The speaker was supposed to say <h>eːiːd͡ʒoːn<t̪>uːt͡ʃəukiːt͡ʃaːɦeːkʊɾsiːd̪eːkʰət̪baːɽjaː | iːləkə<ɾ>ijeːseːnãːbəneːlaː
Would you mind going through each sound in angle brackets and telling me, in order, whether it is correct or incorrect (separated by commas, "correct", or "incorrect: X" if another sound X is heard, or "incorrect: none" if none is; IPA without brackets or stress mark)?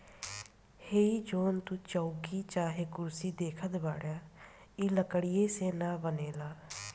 correct, correct, incorrect: ɽ